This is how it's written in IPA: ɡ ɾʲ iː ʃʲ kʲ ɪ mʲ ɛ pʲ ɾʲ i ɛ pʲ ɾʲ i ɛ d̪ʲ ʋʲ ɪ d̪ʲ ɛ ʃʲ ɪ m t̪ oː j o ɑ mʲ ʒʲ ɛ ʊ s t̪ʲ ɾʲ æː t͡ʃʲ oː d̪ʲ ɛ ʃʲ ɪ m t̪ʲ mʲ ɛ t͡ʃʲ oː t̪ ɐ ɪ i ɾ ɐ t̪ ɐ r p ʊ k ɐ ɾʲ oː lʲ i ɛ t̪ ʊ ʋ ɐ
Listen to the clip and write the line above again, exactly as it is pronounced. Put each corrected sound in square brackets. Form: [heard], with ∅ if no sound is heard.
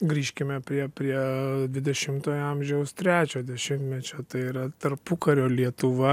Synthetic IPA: ɡ ɾʲ iː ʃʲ kʲ ɪ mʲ ɛ pʲ ɾʲ i ɛ pʲ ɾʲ i ɛ d̪ʲ ʋʲ ɪ d̪ʲ ɛ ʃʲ ɪ m t̪ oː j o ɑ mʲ ʒʲ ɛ ʊ s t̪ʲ ɾʲ æː t͡ʃʲ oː d̪ʲ ɛ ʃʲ ɪ m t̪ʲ mʲ ɛ t͡ʃʲ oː t̪ ɐ ɪ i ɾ ɐ t̪ ɐ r p ʊ k ɐ ɾʲ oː lʲ i ɛ t̪ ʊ ʋ ɐ